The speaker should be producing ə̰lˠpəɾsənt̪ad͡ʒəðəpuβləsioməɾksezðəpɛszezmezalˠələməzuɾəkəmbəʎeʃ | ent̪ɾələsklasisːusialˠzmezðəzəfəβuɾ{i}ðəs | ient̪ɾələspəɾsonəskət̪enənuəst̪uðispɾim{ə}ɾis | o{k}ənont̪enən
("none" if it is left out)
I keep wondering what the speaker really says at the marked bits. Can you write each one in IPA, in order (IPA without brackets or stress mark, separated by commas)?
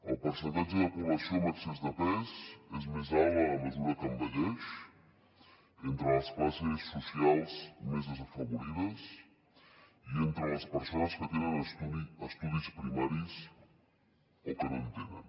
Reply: i, a, k